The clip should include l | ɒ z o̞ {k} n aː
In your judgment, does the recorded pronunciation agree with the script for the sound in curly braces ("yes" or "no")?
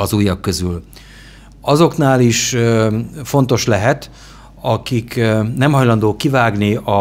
yes